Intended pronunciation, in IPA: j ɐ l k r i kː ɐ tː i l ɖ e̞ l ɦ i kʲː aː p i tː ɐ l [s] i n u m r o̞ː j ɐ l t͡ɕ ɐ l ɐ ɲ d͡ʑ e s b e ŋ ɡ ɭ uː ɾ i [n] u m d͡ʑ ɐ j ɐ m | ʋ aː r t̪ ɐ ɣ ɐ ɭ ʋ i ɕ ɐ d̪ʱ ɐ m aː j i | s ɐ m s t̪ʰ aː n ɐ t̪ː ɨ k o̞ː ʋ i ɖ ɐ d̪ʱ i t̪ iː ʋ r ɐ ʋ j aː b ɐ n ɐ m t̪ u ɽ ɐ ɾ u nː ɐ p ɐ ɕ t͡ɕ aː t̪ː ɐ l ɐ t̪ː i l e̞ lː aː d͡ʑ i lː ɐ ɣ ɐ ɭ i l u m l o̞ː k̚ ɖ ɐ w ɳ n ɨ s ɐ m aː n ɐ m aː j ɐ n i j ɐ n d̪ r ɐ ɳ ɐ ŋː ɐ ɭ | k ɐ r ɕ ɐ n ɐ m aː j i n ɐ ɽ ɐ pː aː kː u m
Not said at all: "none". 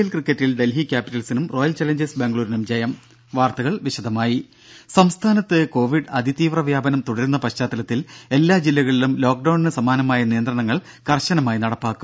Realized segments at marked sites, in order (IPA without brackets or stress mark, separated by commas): s, n